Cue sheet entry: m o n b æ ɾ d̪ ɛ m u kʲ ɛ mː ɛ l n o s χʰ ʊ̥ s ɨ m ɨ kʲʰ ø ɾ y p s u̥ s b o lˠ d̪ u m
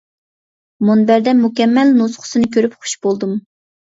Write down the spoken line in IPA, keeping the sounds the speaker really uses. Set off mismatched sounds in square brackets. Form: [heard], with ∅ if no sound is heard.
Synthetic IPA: m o n b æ ɾ d̪ ɛ m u kʲ ɛ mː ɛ l n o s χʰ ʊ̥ s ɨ [n] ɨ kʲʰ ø ɾ y p [χ] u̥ [ʃ] b o lˠ d̪ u m